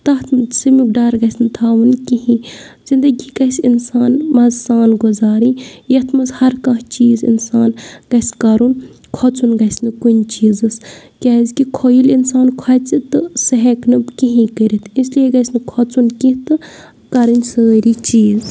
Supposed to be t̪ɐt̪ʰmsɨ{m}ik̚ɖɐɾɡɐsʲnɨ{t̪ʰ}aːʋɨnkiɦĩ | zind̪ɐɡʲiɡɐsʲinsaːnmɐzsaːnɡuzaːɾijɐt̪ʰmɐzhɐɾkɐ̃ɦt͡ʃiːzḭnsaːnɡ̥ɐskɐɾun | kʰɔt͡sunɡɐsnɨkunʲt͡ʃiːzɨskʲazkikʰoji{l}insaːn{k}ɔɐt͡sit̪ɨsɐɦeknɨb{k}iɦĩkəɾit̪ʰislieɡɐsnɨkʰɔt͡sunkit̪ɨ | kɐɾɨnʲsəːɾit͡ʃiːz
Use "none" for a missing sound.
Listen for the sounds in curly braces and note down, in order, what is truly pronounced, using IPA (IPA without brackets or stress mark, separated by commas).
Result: m, t̪ʰ, l, kʰ, k